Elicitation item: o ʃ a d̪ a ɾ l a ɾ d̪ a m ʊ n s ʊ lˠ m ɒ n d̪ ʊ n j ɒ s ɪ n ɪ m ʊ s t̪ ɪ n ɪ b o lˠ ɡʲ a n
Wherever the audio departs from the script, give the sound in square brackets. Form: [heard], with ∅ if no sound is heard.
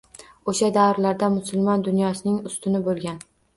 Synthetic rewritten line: o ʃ a d̪ a ɾ l a ɾ d̪ a m ʊ [∅] s ʊ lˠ m ɒ n d̪ ʊ n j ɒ s ɪ n ɪ [ŋ] ʊ s t̪ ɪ n ɪ b o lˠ ɡʲ a n